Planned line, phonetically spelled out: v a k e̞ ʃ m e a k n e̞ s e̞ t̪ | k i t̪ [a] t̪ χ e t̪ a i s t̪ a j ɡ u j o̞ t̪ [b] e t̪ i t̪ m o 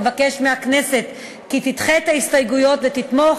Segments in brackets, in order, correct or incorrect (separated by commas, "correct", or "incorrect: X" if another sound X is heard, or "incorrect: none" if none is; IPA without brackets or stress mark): incorrect: i, incorrect: v